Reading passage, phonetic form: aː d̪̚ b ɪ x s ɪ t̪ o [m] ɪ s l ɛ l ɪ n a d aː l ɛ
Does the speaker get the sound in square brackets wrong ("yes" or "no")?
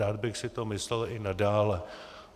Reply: no